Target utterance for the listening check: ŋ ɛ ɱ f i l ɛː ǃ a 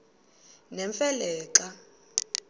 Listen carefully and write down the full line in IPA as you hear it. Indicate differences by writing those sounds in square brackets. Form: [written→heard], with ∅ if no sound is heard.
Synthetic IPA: [ŋ→n] ɛ ɱ f [i→ɛ] l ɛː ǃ a